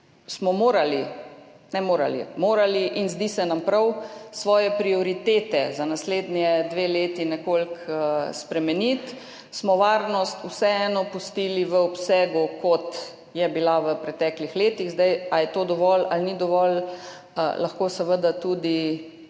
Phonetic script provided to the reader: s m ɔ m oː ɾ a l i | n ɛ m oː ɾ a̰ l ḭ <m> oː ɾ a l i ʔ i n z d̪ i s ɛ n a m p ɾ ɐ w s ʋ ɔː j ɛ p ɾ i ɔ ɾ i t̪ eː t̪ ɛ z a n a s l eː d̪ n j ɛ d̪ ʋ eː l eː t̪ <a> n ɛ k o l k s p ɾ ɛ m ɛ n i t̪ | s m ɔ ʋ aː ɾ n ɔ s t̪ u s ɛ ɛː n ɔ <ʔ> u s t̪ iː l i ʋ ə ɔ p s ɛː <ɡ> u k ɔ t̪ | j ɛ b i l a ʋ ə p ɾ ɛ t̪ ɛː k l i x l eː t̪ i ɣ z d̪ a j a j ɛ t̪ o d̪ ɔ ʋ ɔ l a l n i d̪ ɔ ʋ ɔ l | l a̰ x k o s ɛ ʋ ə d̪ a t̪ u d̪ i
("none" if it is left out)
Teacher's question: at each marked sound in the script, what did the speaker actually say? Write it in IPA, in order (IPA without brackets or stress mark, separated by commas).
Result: m, i, p, ɡ